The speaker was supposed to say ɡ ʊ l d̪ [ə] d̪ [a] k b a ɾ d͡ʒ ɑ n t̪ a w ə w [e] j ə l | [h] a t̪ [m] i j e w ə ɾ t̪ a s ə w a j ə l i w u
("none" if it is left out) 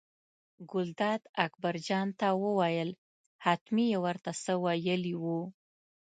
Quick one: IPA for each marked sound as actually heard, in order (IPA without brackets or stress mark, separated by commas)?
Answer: ɑ, a, a, h, m